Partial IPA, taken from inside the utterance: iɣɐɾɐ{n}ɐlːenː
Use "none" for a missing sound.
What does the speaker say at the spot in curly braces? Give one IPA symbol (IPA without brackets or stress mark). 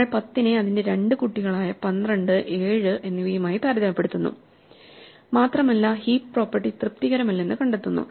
m